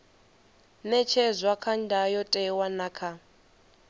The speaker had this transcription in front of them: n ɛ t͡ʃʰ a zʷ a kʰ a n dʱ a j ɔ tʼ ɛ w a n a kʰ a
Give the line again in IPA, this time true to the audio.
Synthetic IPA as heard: n ɛ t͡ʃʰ ɛ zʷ a kʰ a n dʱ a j ɔ tʼ ɛ w a n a kʰ a